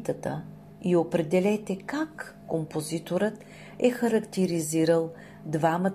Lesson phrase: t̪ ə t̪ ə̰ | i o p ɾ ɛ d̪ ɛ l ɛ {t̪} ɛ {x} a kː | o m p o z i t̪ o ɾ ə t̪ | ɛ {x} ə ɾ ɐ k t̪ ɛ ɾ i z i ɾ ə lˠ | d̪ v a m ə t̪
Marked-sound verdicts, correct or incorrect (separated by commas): correct, incorrect, correct